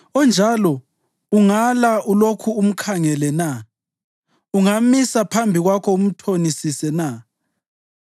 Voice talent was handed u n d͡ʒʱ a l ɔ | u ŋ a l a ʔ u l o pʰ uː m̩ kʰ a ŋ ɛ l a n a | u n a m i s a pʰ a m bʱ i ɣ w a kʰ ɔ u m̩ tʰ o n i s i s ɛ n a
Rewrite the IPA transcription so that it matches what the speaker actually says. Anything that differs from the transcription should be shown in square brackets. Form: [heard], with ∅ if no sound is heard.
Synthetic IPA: [ɔ] n d͡ʒʱ a l ɔ | u ŋ a l a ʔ u l o [kʰ] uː m̩ kʰ a ŋ ɛ l [ɛ] n a | u [ŋ] a m i s a pʰ a m bʱ i ɣ w a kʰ ɔ u m̩ tʰ o n i s i s ɛ n a